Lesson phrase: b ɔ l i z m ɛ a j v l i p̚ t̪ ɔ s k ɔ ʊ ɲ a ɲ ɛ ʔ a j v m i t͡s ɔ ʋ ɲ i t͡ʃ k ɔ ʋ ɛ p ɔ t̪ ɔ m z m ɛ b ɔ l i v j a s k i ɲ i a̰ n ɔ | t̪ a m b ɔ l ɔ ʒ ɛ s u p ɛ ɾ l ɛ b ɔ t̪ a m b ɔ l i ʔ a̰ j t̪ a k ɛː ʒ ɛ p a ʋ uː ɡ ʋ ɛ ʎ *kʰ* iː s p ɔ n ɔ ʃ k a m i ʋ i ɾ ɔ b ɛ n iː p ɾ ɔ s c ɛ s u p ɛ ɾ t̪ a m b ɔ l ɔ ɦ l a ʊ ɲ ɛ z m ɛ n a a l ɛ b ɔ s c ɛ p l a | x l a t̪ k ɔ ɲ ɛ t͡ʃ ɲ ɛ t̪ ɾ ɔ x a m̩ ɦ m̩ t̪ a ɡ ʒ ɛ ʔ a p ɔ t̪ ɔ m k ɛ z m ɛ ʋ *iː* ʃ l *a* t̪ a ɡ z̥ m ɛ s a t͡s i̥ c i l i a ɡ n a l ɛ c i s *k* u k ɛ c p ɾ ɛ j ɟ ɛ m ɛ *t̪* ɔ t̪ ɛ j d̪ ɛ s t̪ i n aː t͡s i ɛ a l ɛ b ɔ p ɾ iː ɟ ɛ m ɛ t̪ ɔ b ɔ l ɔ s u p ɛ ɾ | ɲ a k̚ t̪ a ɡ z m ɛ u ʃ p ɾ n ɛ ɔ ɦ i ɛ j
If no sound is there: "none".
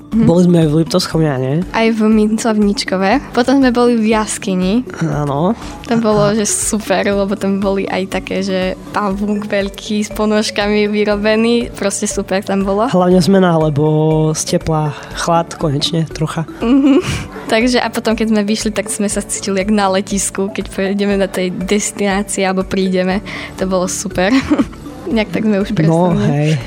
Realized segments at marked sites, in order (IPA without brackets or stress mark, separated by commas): kʰ, i, i, k, d̪